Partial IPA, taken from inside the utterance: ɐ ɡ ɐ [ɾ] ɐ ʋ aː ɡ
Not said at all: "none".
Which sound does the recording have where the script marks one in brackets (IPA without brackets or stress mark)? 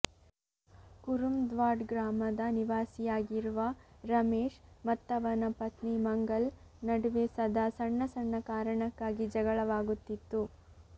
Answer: ɭ